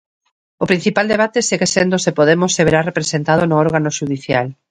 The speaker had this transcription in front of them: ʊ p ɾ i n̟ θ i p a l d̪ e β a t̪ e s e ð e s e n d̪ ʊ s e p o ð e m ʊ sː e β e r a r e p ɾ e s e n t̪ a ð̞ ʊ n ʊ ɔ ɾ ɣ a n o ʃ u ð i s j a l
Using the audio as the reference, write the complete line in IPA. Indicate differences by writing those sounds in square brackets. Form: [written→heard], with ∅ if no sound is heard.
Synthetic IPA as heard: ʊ p ɾ i n̟ θ i p a l d̪ e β a t̪ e s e [ð→ɣ] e s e n d̪ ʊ s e p o ð e m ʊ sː e β e [r→ɾ] a r e p ɾ e s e n t̪ a ð̞ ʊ n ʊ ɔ ɾ ɣ a n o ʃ u ð i [s→θ] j a l